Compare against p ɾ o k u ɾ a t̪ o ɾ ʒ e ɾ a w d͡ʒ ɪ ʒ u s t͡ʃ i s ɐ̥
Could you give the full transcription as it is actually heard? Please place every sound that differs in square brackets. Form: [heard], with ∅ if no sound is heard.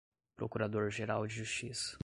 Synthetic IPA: p ɾ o k u ɾ a [d̪] o ɾ ʒ e ɾ a w d͡ʒ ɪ ʒ u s t͡ʃ i s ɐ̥

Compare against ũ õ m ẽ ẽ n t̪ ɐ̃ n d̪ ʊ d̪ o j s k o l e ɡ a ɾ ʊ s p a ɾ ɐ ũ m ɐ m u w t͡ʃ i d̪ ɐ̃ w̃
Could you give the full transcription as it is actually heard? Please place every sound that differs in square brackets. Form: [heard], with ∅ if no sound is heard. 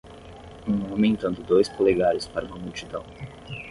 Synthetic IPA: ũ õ m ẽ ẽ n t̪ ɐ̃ n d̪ ʊ d̪ o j s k o l e ɡ a ɾ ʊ s p a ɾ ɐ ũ m ɐ m u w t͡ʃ i d̪ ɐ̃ w̃

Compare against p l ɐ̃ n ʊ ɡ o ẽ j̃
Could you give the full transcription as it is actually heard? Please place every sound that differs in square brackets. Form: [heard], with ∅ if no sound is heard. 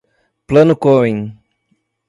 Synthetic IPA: p l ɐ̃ n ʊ [k] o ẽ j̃

